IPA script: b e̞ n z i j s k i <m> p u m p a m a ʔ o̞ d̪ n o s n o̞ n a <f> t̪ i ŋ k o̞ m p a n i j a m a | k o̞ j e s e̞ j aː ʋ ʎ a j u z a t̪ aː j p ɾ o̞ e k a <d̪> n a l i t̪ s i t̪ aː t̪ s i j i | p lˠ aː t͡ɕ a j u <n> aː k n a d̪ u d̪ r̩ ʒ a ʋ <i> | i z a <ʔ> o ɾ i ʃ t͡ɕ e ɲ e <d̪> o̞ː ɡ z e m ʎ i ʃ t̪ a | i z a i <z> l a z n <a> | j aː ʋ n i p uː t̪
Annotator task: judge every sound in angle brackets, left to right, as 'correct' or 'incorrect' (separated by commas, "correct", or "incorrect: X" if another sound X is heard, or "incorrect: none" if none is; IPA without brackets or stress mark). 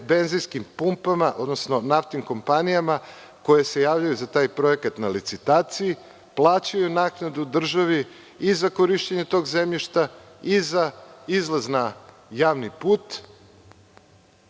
correct, correct, incorrect: t̪, correct, correct, incorrect: k, incorrect: t̪, correct, correct